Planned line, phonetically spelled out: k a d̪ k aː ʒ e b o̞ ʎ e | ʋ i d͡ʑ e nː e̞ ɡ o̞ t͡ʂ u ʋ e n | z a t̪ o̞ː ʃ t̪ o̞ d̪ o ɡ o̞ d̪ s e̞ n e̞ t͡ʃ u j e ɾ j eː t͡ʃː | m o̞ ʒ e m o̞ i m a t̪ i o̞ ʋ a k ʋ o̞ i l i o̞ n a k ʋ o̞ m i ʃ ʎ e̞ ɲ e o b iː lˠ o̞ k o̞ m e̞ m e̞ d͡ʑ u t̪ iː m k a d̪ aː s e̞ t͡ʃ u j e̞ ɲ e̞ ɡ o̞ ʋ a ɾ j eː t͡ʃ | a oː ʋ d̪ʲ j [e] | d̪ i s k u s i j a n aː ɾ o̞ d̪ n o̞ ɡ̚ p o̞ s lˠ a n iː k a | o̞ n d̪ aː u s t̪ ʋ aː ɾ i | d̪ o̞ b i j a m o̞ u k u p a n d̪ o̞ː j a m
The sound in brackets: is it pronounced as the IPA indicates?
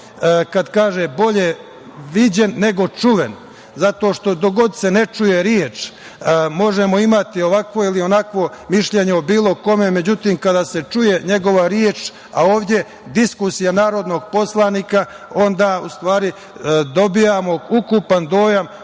yes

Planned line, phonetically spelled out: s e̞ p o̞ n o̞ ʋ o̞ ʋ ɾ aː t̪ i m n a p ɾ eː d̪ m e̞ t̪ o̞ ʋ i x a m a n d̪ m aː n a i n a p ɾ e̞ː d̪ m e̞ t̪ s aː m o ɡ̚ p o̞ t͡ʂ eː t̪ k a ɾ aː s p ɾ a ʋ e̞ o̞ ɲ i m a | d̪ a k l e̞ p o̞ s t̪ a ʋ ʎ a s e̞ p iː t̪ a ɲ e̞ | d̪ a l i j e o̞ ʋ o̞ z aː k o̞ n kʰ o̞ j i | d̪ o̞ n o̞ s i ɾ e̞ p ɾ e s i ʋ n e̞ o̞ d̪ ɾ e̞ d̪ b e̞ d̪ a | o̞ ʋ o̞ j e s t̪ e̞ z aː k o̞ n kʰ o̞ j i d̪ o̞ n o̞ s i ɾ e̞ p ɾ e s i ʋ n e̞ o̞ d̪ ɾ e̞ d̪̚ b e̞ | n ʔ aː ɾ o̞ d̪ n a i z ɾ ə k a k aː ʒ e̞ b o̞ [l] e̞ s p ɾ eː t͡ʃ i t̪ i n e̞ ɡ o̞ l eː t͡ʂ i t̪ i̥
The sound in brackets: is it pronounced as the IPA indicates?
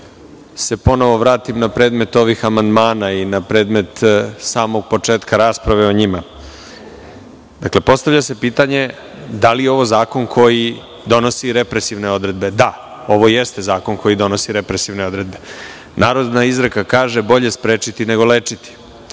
no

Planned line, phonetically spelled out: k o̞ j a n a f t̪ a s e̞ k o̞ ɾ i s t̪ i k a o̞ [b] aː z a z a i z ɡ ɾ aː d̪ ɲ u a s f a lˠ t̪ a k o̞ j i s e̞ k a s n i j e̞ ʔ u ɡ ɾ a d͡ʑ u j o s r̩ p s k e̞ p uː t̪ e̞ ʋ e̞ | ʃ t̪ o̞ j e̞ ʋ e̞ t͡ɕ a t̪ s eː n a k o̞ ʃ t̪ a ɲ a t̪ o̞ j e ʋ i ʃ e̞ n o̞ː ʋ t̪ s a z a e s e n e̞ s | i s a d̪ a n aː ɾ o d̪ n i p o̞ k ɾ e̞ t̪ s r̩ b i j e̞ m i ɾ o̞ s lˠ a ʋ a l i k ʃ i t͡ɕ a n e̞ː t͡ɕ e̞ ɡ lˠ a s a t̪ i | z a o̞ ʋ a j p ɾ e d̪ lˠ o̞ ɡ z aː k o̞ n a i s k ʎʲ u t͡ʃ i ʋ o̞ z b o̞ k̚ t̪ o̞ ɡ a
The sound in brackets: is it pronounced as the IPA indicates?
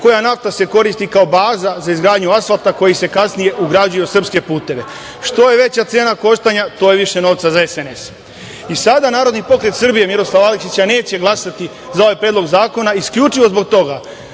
yes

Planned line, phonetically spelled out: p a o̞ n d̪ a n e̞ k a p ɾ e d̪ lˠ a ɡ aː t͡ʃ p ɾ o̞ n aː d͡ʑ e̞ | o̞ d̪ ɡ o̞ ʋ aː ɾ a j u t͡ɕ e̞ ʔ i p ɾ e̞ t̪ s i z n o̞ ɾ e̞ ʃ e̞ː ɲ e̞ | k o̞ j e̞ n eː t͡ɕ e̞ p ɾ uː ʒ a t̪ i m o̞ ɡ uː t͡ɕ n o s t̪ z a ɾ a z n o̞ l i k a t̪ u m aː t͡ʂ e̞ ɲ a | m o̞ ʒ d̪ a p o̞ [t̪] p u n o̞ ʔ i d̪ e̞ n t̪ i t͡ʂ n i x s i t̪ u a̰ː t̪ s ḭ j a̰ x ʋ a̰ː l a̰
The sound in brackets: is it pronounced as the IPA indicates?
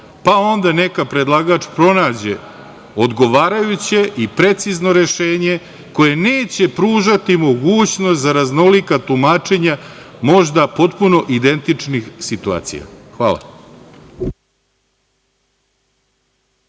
yes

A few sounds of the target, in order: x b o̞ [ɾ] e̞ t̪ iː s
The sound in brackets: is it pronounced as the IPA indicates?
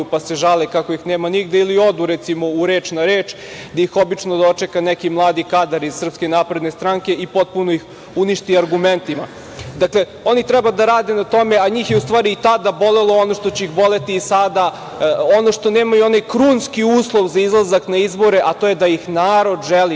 no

